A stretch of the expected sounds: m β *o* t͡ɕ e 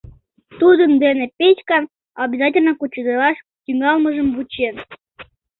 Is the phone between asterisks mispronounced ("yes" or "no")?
yes